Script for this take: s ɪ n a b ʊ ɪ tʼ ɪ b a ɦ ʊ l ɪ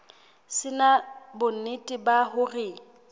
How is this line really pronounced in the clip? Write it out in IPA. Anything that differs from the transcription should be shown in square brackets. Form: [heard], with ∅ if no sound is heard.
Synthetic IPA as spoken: s ɪ n a b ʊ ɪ tʼ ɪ b a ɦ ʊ [r] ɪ